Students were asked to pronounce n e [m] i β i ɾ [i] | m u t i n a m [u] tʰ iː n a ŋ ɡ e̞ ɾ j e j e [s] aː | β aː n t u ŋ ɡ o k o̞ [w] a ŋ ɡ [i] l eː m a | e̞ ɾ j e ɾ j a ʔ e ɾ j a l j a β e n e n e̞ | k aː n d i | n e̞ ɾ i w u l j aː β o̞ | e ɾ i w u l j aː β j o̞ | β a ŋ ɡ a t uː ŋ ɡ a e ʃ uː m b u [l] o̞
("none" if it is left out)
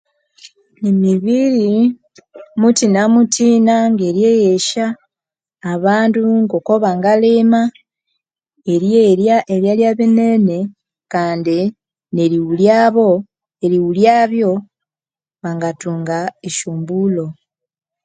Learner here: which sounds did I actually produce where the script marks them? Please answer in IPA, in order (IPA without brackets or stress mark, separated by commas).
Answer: m, i, u, ʃ, β, a, l